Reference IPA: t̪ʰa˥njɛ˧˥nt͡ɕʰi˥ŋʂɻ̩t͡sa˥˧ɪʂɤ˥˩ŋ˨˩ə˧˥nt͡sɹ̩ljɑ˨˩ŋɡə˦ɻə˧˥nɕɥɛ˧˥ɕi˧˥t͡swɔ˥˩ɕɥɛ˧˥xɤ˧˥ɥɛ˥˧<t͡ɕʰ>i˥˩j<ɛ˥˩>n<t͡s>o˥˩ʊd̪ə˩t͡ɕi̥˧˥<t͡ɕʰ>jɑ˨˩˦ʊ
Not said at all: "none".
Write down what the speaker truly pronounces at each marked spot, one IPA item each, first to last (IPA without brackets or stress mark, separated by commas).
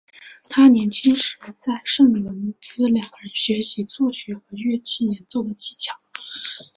t͡ɕʰ, ɛ˧˥, t͡s, t͡ɕʰ